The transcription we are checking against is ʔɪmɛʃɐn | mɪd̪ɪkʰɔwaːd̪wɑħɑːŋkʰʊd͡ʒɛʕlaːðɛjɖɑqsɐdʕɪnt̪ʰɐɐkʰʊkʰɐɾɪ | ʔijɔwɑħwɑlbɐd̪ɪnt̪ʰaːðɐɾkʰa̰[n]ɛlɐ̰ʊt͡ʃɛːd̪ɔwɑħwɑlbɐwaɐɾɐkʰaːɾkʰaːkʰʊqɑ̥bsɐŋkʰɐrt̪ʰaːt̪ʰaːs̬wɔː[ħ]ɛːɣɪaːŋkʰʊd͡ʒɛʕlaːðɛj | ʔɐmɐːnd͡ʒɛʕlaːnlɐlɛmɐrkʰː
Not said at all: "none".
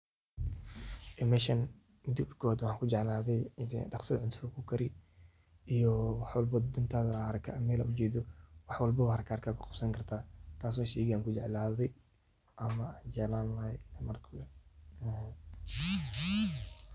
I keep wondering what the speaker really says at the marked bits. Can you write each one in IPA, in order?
m, ʃ

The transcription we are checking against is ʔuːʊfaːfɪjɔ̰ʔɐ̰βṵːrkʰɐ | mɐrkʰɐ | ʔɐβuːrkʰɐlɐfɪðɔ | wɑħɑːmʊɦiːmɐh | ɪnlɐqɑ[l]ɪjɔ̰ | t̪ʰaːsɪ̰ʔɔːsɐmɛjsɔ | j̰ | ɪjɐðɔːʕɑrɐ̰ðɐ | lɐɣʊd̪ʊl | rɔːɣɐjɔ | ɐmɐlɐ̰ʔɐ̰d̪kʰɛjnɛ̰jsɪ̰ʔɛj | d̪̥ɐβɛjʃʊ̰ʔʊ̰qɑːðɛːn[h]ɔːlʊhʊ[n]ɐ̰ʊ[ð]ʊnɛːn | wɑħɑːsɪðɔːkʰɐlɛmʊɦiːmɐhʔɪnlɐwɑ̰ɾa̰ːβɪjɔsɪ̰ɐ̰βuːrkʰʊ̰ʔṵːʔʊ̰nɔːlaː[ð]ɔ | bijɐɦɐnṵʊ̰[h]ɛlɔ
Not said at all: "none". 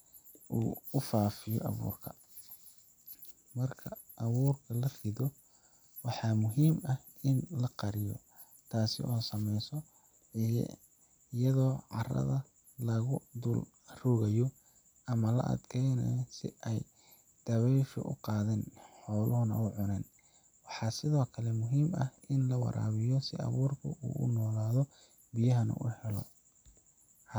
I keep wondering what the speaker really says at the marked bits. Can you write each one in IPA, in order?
ɾ, ħ, n, ʕ, ð, h

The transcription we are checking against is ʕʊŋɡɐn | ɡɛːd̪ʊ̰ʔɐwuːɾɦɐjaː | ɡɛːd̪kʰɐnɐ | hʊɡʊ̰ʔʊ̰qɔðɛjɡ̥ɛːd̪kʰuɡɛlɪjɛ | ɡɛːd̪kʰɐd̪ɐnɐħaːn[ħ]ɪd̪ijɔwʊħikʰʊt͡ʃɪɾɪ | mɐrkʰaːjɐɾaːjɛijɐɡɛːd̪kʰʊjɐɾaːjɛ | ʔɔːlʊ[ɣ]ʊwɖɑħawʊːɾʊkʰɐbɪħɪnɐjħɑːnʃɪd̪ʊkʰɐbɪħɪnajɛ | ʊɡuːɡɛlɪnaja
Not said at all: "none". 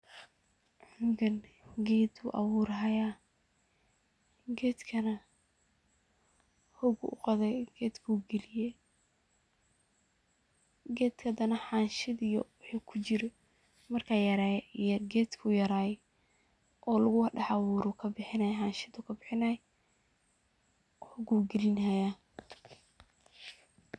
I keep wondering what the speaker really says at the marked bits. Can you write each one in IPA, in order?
ʃ, ɣ

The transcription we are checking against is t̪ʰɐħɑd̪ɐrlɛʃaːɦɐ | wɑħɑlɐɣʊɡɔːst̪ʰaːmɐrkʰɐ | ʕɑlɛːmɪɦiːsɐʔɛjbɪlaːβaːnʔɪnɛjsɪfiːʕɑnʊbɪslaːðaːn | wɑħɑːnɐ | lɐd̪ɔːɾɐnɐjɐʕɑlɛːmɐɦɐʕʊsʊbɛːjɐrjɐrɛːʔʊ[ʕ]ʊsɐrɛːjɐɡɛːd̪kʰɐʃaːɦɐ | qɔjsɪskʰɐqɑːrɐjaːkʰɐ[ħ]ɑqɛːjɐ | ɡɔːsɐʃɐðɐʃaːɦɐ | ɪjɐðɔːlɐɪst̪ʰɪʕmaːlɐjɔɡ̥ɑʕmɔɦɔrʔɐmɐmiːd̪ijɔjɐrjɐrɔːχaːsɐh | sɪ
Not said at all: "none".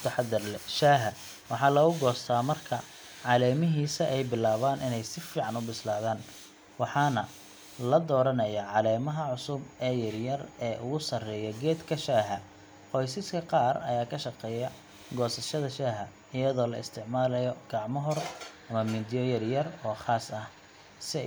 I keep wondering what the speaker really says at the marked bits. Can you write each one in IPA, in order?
ɣ, ʃ

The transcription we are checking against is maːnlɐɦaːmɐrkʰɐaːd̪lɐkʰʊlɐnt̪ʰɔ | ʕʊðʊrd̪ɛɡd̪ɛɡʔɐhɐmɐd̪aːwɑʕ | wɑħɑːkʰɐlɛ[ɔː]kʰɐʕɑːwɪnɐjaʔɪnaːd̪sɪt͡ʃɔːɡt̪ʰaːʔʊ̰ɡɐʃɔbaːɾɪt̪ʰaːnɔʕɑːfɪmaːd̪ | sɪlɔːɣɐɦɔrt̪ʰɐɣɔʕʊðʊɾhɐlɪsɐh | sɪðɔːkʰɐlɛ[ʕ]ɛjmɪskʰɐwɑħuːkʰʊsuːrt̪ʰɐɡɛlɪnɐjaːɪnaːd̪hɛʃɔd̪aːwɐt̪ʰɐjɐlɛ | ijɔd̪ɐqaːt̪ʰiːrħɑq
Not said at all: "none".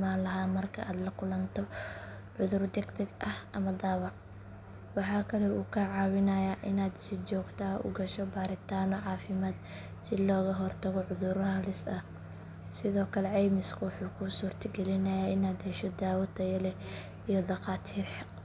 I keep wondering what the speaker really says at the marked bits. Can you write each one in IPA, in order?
uː, ʕ

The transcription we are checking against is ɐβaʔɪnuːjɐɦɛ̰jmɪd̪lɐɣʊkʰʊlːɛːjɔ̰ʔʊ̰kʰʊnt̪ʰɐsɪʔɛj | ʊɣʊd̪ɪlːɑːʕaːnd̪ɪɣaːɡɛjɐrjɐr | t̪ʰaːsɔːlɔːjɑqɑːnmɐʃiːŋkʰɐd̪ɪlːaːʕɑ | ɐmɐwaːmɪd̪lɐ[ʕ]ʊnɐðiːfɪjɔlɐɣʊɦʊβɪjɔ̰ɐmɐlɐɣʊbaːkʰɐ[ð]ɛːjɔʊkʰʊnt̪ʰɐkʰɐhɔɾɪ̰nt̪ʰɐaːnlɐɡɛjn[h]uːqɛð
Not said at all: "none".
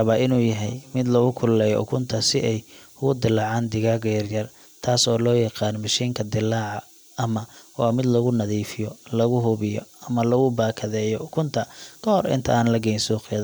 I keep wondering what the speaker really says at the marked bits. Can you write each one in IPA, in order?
ɣ, ð, s

